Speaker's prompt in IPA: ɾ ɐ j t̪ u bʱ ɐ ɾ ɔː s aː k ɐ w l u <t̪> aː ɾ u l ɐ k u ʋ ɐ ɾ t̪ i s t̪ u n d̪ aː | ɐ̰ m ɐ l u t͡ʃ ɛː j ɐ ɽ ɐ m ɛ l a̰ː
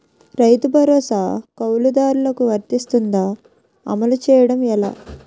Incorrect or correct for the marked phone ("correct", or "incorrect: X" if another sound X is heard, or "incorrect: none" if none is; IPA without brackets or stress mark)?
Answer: incorrect: d̪